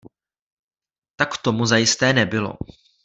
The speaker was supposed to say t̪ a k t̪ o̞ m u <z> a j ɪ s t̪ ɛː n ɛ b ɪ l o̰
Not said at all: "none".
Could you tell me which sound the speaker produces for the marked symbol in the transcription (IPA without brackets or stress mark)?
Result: z